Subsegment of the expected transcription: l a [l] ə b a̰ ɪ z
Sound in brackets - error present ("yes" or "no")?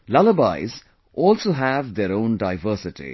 no